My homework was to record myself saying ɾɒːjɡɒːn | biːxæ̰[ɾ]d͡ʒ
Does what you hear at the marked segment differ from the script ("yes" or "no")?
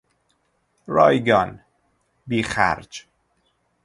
no